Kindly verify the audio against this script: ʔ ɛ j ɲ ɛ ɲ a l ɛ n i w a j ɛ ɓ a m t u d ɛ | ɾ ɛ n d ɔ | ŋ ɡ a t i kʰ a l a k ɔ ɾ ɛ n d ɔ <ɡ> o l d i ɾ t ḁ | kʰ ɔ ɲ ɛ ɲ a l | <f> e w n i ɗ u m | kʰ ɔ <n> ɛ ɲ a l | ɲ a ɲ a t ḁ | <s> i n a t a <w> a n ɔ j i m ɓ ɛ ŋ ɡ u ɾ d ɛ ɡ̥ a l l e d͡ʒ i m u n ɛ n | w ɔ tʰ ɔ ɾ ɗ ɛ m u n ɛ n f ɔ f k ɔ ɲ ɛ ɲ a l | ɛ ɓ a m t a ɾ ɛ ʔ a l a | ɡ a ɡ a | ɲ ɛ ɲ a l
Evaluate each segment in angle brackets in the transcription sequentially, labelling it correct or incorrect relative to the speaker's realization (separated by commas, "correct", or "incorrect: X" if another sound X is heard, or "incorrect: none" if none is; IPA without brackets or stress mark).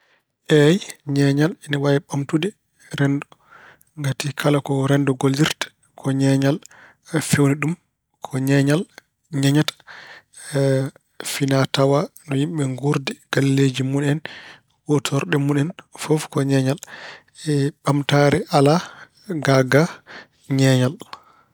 correct, correct, incorrect: ɲ, incorrect: f, correct